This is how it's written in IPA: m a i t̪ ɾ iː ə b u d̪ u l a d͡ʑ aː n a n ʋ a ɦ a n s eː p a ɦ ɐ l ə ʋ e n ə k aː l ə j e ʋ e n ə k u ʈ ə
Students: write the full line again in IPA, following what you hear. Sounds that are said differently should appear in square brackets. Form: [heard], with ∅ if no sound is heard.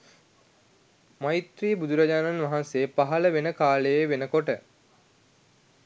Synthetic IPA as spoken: m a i t̪ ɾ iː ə b u d̪ u [ɾ] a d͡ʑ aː n a n ʋ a ɦ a n s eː p a ɦ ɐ l ə ʋ e n ə k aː l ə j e ʋ e n ə k [o] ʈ ə